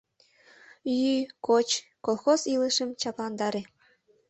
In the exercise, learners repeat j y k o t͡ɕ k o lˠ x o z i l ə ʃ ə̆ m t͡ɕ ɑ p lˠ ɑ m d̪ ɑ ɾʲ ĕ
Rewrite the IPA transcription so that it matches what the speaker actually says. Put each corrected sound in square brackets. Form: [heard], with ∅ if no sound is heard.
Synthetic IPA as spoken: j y k o t͡ɕ k o lˠ x o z i l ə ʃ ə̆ m t͡ɕ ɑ p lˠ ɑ [n] d̪ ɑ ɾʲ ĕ